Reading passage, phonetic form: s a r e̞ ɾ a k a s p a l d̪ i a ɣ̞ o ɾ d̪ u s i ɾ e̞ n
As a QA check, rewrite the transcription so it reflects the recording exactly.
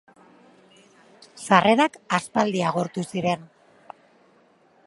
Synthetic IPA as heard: s a r e̞ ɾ a k a s p a l d̪ i a ɣ̞ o ɾ t̪ u s i ɾ e̞ n